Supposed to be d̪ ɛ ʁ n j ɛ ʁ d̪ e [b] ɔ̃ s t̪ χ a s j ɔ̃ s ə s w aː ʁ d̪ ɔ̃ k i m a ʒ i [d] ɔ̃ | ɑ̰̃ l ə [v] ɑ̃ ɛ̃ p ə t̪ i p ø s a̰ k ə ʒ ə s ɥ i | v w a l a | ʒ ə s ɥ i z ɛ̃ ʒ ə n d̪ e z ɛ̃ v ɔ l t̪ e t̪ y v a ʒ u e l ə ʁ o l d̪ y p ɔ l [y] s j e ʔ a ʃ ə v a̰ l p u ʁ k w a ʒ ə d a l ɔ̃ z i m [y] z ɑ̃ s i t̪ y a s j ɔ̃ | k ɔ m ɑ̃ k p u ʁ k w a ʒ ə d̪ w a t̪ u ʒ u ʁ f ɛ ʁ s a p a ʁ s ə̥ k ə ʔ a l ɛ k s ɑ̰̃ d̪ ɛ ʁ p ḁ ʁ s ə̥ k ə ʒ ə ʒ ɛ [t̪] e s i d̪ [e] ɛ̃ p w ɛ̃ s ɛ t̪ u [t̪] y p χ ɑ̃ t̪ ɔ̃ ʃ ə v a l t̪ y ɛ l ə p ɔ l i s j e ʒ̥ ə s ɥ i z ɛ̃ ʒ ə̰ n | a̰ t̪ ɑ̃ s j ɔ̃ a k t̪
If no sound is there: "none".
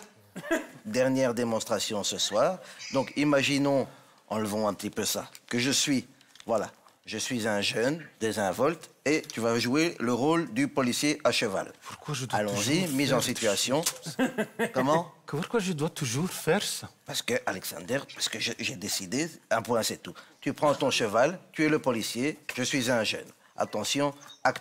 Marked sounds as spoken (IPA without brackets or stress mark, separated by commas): m, n, v, i, i, d̪, e, t̪